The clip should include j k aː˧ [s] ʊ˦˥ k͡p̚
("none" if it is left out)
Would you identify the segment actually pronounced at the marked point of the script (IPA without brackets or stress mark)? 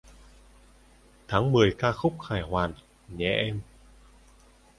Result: x